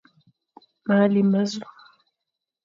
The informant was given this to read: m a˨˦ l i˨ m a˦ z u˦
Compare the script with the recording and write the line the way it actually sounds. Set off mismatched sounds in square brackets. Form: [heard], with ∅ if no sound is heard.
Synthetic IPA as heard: m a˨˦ l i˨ m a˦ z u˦